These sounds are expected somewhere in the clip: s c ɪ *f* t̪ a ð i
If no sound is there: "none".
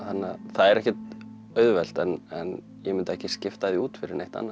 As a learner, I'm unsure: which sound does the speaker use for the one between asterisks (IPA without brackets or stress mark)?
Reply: f